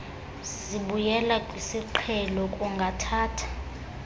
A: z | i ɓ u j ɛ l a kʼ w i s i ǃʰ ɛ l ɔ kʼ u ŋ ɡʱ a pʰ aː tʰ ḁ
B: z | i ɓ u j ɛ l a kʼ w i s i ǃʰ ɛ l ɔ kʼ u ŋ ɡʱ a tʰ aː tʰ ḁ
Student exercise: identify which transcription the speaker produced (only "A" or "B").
B